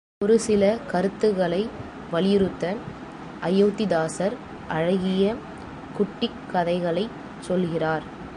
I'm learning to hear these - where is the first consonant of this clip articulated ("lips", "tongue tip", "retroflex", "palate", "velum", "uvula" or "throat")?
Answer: tongue tip